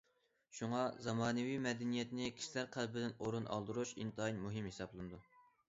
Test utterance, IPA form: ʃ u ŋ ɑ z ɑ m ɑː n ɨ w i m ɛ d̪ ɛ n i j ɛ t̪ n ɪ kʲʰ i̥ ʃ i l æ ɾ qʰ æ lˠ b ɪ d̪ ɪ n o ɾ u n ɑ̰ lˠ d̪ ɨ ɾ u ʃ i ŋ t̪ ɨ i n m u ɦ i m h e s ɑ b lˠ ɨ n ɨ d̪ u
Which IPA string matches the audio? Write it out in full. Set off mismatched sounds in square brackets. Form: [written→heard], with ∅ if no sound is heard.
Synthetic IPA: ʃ u ŋ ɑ z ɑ m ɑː n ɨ w i m ɛ d̪ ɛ n i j ɛ t̪ n ɪ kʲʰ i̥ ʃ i l æ ɾ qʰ æ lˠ b ɪ d̪ ɪ n o ɾ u n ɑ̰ lˠ d̪ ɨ ɾ u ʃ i [ŋ→n] t̪ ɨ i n m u ɦ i m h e s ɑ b lˠ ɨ n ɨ d̪ u